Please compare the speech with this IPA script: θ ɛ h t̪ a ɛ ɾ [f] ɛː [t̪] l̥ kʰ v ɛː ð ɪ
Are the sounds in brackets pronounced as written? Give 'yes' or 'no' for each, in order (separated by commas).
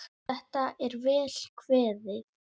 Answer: no, no